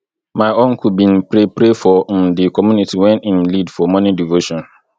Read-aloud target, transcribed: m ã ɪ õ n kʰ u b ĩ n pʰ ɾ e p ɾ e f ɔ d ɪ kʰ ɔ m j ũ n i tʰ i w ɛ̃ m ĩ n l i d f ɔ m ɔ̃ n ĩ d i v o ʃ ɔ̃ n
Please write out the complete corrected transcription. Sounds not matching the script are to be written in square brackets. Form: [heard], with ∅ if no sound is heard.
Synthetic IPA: m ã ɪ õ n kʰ u b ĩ n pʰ ɾ e p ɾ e f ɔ d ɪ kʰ ɔ m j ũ n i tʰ i w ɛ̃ [n] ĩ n l i d f ɔ m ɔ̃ n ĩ d i v o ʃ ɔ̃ n